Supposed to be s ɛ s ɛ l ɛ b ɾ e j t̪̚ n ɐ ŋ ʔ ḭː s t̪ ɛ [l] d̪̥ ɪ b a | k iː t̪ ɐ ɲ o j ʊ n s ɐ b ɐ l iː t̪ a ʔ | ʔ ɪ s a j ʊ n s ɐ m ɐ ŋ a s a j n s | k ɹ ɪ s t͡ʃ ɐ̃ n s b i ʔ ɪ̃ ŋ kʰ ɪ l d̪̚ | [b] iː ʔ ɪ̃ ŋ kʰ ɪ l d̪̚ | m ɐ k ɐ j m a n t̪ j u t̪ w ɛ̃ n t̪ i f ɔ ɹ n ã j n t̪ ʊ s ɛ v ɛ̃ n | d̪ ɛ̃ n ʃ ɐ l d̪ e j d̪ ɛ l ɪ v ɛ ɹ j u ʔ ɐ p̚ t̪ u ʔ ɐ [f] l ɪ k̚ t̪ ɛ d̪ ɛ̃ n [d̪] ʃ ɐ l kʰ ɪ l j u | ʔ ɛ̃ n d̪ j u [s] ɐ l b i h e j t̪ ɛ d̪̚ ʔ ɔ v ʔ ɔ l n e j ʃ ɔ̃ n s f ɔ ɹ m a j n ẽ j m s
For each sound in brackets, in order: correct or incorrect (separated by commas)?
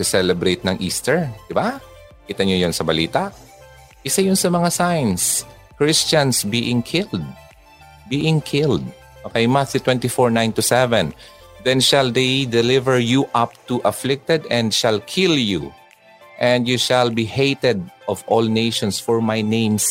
incorrect, correct, correct, correct, incorrect